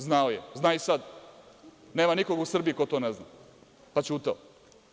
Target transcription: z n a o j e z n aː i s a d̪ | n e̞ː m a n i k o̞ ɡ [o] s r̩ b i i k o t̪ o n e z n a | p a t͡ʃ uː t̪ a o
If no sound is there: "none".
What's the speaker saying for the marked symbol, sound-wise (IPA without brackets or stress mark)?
u